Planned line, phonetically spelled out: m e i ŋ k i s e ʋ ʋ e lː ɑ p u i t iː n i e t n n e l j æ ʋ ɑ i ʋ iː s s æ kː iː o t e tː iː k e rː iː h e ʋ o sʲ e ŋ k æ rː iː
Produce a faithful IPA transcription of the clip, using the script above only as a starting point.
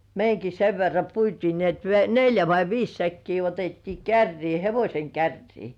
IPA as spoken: m e i ŋ k i s e ʋ ʋ e rː ɑ p u i t iː n i e t n n e l j æ ʋ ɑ i ʋ iː s s æ kː iː o t e tː iː k æ rː iː h e ʋ o sʲ e ŋ k æ rː iː